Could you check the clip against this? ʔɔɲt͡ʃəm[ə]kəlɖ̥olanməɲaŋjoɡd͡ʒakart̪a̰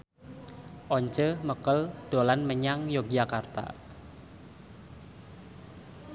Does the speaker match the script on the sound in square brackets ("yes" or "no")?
yes